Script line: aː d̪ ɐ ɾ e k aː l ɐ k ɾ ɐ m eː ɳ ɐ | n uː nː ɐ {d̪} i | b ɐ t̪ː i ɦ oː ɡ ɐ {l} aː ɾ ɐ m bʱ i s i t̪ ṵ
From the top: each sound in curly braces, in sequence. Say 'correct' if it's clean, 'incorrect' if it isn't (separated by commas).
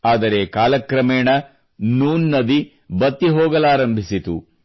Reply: correct, correct